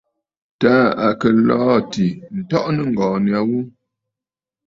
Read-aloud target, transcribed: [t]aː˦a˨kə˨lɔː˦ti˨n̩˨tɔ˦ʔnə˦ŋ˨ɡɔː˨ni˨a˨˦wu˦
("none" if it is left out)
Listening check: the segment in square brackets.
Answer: t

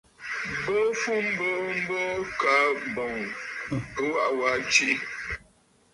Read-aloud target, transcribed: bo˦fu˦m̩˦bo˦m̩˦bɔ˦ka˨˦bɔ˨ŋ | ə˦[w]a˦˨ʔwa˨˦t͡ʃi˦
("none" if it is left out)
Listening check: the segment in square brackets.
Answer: w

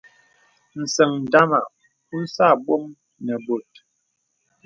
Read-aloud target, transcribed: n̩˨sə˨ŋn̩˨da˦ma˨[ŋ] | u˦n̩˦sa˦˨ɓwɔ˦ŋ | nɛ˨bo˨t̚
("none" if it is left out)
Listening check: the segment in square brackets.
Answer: none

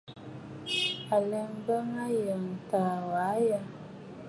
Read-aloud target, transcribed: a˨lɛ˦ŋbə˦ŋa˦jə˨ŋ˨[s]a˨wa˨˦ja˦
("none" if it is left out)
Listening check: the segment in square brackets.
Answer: t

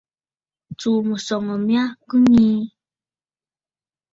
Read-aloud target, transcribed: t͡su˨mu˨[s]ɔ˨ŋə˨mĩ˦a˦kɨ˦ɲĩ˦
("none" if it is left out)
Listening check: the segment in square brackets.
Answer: s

